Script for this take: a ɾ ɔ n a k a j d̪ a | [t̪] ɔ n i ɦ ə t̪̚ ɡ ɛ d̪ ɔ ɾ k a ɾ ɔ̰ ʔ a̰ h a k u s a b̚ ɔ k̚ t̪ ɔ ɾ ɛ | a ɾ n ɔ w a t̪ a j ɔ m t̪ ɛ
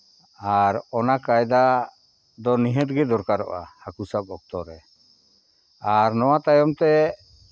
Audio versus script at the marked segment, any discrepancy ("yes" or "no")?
yes